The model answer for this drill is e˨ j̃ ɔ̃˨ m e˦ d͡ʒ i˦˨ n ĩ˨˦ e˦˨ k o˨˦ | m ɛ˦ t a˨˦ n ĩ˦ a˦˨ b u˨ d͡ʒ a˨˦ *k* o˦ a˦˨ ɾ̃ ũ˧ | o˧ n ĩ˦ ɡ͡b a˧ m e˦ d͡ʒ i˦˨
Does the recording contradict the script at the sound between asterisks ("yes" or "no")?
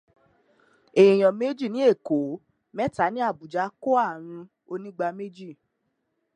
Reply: no